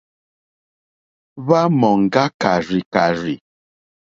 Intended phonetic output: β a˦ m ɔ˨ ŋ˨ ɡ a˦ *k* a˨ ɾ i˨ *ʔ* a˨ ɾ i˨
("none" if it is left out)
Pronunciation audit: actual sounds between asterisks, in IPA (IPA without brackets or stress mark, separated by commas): k, k